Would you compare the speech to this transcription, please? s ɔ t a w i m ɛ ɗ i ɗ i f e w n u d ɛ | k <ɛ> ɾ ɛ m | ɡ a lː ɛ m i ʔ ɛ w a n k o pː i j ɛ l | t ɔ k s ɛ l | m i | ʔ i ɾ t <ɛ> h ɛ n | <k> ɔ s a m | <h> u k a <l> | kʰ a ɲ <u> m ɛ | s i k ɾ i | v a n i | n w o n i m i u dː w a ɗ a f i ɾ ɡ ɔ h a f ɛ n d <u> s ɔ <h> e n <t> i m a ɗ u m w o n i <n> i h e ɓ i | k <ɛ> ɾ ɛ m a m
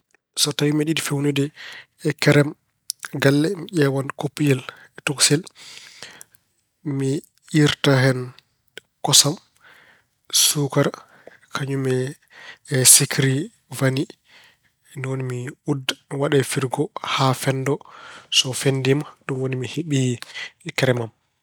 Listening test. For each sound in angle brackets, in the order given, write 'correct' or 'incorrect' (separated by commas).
correct, incorrect, correct, incorrect, incorrect, correct, incorrect, incorrect, incorrect, incorrect, correct